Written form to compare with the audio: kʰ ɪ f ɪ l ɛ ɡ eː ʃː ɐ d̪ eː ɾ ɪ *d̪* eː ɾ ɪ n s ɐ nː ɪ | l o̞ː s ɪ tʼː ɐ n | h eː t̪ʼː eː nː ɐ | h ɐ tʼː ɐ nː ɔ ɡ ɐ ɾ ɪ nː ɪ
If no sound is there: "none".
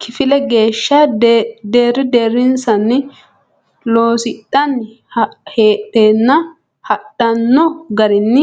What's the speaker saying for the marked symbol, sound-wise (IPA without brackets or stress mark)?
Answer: d̪